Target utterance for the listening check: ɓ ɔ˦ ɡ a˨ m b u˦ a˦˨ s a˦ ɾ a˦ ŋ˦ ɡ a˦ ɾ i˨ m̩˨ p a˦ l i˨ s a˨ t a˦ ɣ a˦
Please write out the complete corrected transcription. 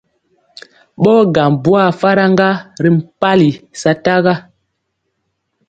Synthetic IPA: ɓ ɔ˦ ɡ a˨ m b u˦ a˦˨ f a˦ ɾ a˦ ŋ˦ ɡ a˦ ɾ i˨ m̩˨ p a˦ l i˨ s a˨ t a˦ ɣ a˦